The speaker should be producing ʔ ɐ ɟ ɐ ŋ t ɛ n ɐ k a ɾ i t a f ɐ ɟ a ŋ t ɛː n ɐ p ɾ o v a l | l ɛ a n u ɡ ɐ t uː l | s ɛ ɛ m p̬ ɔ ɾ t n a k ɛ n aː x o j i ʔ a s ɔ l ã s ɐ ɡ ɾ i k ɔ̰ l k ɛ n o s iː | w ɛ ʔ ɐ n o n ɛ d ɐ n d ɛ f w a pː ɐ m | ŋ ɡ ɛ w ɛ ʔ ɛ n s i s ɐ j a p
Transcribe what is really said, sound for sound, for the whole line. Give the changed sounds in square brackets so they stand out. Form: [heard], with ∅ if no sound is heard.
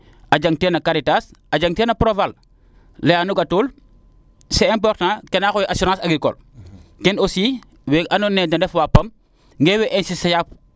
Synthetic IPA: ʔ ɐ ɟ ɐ ŋ t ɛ n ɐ k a ɾ i t a [s] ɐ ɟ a ŋ t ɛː n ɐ p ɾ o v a l | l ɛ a n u ɡ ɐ t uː l | s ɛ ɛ m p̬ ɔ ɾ t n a k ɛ n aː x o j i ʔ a s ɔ [ɾ] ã s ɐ ɡ ɾ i k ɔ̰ l k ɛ n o s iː | w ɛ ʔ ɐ n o n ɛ d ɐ n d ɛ f w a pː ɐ m | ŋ ɡ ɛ w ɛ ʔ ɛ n s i s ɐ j a p